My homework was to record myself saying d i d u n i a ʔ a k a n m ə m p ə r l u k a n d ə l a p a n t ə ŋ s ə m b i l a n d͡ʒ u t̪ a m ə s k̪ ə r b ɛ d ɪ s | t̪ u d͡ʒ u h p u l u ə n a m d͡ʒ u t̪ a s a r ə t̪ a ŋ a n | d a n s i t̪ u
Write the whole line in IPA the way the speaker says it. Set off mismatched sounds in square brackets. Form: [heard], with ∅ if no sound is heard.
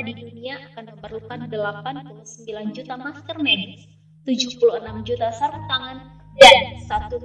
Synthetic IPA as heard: d i d u n i a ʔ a k a n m ə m p ə r l u k a n d ə l a p a n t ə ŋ s ə m b i l a n d͡ʒ u t̪ a m [a] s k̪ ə r [m] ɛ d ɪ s | t̪ u d͡ʒ u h p u l u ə n a m d͡ʒ u t̪ a s a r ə t̪ a ŋ a n | d a n s [a] t̪ u